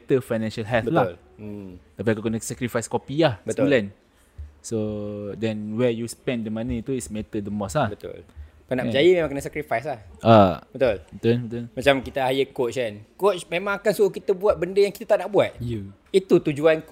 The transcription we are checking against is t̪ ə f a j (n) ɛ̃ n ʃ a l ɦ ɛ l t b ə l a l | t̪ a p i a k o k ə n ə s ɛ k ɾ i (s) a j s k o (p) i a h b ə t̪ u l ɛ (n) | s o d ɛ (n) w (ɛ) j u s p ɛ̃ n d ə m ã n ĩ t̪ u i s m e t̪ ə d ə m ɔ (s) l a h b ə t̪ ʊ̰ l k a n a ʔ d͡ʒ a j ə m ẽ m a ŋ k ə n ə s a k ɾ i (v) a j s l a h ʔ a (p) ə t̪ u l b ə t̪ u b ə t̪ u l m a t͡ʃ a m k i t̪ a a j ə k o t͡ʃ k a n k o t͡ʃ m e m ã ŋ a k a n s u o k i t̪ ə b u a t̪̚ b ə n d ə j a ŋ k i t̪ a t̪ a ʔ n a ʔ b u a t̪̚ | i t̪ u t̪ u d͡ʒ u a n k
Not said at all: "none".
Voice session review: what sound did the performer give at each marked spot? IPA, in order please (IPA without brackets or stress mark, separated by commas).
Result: n, f, p, n, n, ɛ, s, f, b